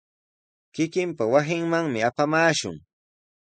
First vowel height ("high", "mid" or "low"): high